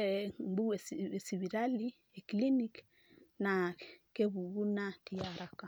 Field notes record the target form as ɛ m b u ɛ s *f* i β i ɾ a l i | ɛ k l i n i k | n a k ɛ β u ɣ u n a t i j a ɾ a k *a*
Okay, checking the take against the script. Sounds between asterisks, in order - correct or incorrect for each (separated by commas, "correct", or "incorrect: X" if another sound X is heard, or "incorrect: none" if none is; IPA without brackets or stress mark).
incorrect: s, correct